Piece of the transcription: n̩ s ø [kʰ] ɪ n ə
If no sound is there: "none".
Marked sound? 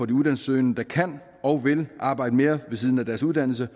none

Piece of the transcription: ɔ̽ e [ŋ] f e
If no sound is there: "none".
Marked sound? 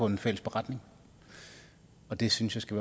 n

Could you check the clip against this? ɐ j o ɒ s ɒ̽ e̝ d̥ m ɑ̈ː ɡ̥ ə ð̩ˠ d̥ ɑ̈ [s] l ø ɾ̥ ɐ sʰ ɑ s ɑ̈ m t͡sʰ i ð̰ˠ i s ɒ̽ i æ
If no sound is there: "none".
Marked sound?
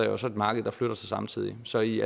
f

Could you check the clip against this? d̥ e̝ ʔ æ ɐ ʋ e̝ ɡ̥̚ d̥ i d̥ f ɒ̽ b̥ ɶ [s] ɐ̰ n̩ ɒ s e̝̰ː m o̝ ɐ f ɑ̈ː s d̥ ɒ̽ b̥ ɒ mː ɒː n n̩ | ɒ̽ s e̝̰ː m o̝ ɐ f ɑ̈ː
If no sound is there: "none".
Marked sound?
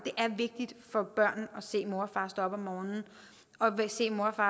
none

